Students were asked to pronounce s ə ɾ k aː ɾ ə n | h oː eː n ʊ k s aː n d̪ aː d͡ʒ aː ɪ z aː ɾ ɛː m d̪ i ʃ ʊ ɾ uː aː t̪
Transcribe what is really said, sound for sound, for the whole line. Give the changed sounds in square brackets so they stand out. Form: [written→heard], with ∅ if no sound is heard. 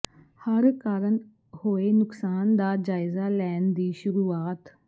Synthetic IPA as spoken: [s→h] ə ɾ k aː ɾ ə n | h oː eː n ʊ k s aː n d̪ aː d͡ʒ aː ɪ z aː [ɾ→l] ɛː [m→n] d̪ [i→iː] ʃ ʊ ɾ uː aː t̪